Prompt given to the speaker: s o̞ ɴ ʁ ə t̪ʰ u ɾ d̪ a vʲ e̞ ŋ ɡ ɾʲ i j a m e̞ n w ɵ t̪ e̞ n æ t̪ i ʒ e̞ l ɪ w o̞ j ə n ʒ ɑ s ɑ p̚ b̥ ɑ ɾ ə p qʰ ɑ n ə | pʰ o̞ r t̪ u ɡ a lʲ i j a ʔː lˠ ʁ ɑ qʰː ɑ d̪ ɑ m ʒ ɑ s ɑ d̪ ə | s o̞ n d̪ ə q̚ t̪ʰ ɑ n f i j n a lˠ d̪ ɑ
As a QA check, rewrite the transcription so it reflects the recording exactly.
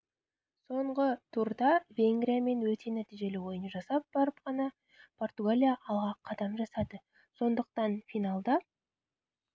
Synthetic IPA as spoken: s o̞ ɴ ʁ ə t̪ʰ u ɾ d̪ ɑ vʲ e̞ ŋ ɡ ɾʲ i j a m e̞ n w ɵ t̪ e̞ n æ t̪ i ʒ e̞ l ɪ w o̞ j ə n ʒ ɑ s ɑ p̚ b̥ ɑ ɾ ə p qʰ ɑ n ɑ | pʰ o̞ r t̪ u ɡ a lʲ i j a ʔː lˠ ʁ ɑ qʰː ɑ d̪ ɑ m ʒ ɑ s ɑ d̪ ə | s o̞ n d̪ ə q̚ t̪ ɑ n f i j n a lˠ d̪ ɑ